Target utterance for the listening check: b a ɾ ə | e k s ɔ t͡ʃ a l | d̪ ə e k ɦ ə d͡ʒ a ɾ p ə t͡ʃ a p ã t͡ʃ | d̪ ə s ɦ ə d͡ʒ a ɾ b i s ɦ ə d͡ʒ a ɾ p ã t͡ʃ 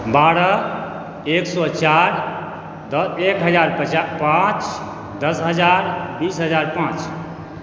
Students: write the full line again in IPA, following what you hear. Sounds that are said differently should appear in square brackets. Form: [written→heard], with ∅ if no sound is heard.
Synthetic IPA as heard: b a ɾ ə | e k s ɔ t͡ʃ a [l→ɾ] | d̪ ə e k ɦ ə d͡ʒ a ɾ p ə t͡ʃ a p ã t͡ʃ | d̪ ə s ɦ ə d͡ʒ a ɾ b i s ɦ ə d͡ʒ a ɾ p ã t͡ʃ